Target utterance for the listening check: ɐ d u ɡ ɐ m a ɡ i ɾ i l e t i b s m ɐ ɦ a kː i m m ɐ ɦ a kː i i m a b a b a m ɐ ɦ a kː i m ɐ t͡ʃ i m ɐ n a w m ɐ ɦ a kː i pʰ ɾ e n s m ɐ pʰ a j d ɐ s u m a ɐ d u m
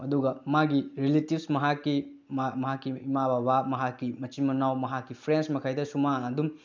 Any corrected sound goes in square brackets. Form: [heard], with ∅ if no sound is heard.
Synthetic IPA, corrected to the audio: ɐ d u ɡ ɐ m a ɡ i ɾ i l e t i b s m ɐ ɦ a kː i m m ɐ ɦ a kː i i m a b a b a m ɐ ɦ a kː i m ɐ t͡ʃ i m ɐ n a w m ɐ ɦ a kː i pʰ ɾ e n s m ɐ [kʰ] a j d ɐ s u m a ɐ d u m

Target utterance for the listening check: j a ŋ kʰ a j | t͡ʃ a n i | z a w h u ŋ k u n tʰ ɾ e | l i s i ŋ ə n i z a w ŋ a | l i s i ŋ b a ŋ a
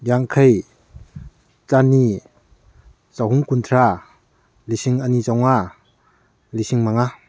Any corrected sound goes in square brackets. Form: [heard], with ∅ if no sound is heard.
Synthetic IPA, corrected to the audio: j a ŋ kʰ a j | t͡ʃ a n i | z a w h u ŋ k u n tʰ ɾ [a] | l i s i ŋ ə n i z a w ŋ a | l i s i ŋ [m] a ŋ a

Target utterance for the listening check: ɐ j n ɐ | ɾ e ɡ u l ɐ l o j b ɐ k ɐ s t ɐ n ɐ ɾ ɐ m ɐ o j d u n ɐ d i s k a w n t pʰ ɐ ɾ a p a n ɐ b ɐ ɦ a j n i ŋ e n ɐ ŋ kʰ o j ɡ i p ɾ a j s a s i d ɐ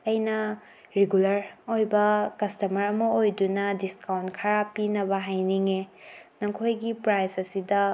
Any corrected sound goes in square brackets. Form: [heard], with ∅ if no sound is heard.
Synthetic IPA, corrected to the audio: ɐ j n ɐ | ɾ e ɡ u l ɐ [ɾ] o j b ɐ k ɐ s t ɐ [m] ɐ ɾ ɐ m ɐ o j d u n ɐ d i s k a w n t [kʰ] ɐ ɾ a p [i] n ɐ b ɐ ɦ a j n i ŋ e n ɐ ŋ kʰ o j ɡ i p ɾ a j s [ɐ] s i d ɐ

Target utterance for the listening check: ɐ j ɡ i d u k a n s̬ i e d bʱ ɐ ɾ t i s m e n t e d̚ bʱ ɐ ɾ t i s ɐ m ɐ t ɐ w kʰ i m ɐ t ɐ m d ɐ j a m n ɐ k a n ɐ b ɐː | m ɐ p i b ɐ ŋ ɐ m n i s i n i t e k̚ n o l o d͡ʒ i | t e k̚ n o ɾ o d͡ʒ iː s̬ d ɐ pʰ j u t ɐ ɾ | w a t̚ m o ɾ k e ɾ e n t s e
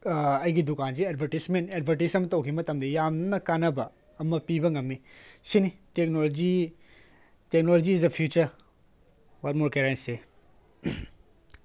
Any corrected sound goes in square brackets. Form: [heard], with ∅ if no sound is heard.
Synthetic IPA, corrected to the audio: ɐ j ɡ i d u k a n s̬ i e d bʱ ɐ ɾ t i s m e n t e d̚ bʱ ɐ ɾ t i s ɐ m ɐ t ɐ w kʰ i m ɐ t ɐ m d ɐ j a m n ɐ k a n ɐ b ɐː | m ɐ p i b ɐ ŋ ɐ m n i s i n i t e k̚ n o l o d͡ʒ i | t e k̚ n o [l] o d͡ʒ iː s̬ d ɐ pʰ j u [t͡ʃ] ɐ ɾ | w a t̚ m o ɾ k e ɾ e n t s e

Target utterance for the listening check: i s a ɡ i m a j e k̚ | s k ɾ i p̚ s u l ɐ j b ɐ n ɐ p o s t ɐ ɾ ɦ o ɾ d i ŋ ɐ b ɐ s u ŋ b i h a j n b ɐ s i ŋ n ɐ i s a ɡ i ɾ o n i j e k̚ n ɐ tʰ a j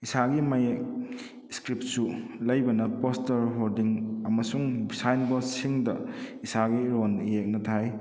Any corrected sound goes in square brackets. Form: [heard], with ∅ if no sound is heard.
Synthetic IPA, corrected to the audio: i s a ɡ i m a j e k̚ | s k ɾ i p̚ s u l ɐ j b ɐ n ɐ p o s t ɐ ɾ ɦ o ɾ d i ŋ ɐ [m] ɐ s u ŋ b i [s] a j n b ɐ s i ŋ [d] ɐ i s a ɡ i ɾ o n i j e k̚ n ɐ tʰ a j

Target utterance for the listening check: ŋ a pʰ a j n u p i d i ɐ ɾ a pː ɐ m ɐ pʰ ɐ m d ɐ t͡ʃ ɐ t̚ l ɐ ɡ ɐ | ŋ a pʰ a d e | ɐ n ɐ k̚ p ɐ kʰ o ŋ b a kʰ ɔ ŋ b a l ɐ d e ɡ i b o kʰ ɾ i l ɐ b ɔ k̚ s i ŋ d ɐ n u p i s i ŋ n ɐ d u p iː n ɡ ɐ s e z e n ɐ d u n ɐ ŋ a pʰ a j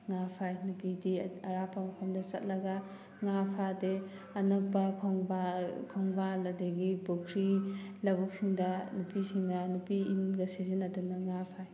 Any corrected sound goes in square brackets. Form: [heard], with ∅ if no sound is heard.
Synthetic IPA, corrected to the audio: ŋ a pʰ a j n u p i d i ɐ ɾ a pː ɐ m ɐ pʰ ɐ m d ɐ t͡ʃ ɐ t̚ l ɐ ɡ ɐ | ŋ a pʰ a d e | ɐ n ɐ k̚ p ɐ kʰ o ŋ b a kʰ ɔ ŋ b a l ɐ d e ɡ i b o kʰ ɾ i l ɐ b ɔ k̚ s i ŋ d ɐ n u p i s i ŋ n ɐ [n] u p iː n ɡ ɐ s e z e n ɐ d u n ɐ ŋ a pʰ a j

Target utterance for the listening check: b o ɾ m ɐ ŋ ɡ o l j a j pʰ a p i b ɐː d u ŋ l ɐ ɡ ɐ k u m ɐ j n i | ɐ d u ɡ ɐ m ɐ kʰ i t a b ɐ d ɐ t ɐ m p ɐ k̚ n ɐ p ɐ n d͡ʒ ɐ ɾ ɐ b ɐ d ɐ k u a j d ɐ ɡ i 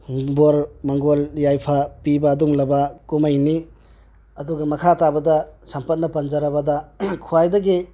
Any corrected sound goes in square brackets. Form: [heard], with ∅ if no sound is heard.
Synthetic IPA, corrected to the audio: b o ɾ m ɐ ŋ ɡ o l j a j pʰ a p i b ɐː d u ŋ l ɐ [b] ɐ k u m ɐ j n i | ɐ d u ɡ ɐ m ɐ kʰ [a] t a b ɐ d ɐ [s] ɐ m p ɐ [t̚] n ɐ p ɐ n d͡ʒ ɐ ɾ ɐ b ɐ d ɐ [kʰ] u a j d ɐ ɡ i

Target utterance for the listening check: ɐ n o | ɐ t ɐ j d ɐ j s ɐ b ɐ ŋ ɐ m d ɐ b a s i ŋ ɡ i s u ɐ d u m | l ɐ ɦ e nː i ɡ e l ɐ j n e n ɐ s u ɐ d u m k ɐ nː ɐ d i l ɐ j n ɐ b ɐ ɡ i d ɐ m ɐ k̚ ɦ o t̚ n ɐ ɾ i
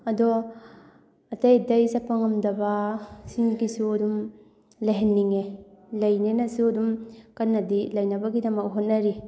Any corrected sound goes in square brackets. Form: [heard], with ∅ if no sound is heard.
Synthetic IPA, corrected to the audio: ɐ [d] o | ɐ t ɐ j d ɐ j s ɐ [p] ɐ ŋ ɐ m d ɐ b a s i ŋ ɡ i s u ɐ d u m | l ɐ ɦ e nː i [ŋ] e l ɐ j n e n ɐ s u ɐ d u m k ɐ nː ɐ d i l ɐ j n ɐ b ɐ ɡ i d ɐ m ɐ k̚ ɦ o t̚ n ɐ ɾ i

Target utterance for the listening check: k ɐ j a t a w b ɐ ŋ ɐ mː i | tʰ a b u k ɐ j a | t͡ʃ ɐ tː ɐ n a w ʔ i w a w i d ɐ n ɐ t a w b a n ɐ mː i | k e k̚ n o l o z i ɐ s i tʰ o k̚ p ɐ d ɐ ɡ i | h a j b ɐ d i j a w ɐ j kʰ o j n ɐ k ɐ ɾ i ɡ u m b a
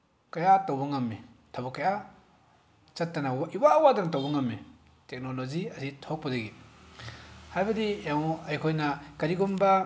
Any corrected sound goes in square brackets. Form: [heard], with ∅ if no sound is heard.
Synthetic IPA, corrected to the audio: k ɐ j a t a w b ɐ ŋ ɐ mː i | tʰ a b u k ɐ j a | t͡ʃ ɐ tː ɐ n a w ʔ i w a w [a] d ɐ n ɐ t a w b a [ŋ] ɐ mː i | [t] e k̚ n o l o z i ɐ s i tʰ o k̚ p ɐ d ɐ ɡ i | h a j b ɐ d i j a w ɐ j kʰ o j n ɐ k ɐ ɾ i ɡ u m b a

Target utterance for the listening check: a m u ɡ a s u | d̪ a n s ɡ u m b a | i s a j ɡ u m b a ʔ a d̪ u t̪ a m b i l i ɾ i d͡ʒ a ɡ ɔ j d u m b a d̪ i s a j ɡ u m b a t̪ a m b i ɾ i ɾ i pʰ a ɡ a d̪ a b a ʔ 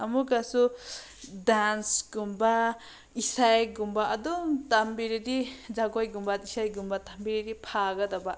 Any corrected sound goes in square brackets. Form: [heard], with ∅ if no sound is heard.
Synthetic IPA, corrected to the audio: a m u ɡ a s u | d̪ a n s ɡ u m b a | i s a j ɡ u m b a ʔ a d̪ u t̪ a m b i [ɾ] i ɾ i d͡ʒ a ɡ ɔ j [ɡ] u m b a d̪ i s a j ɡ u m b a t̪ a m b i ɾ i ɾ i pʰ a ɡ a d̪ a b a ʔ

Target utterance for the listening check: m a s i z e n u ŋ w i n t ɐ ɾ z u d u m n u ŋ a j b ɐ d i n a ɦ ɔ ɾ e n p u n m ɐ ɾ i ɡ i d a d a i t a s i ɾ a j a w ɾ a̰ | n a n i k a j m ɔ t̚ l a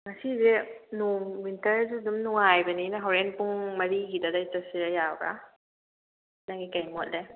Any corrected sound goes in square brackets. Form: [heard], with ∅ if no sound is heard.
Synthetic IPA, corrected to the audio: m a s i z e n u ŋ w i n t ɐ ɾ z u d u m n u ŋ a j b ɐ [n] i n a ɦ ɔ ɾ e n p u [ŋ] m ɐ ɾ i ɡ i d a d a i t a s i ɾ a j a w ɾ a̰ | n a [ŋ] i k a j m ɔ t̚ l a

